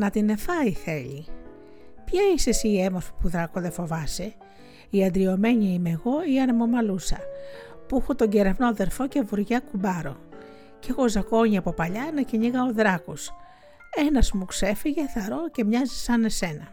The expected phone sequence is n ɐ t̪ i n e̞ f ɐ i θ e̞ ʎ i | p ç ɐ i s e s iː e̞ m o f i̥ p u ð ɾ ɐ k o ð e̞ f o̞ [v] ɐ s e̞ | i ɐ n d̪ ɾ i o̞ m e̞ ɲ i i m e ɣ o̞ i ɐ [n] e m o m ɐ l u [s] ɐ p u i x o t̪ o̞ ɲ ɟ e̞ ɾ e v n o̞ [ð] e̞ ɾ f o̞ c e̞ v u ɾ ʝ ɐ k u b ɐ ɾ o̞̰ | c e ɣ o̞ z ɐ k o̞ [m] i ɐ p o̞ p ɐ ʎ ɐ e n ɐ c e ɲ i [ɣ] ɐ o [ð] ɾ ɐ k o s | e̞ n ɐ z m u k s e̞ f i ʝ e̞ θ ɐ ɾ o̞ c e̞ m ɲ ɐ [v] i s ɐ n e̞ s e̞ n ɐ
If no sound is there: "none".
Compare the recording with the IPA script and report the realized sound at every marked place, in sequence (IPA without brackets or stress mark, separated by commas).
v, n, s, ð, ɲ, ɣ, ð, z